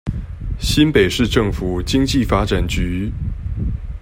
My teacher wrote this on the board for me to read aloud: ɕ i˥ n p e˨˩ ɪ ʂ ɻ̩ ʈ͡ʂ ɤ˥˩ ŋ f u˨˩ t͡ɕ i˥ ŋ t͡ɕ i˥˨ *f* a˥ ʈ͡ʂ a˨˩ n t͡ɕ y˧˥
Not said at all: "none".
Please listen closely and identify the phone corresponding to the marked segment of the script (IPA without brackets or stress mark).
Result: f